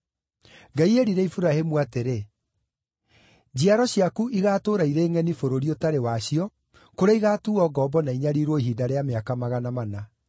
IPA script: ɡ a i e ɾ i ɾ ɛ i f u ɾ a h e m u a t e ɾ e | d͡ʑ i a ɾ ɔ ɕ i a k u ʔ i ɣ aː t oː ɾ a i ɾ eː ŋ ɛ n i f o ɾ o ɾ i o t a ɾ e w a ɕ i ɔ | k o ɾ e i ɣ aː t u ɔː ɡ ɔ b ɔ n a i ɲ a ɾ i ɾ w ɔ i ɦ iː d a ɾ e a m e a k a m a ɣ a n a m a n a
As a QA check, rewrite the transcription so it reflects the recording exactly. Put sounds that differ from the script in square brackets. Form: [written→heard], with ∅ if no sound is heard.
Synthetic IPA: ɡ a i e ɾ i ɾ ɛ i f u ɾ a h e m u a t e ɾ e | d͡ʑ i a ɾ ɔ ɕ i a k u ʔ i ɣ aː t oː ɾ a i ɾ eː ŋ ɛ n i f o ɾ o ɾ i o t a ɾ e w a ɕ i ɔ | k o ɾ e i ɣ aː t u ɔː ɡ ɔ b ɔ n a i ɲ a ɾ i ɾ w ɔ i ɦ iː d a ɾ e a m e a k a m a ɣ a n a m a n a